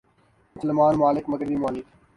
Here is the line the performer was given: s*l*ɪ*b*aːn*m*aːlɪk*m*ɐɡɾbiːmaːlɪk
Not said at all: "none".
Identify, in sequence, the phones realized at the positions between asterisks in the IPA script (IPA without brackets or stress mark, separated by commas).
l, m, m, m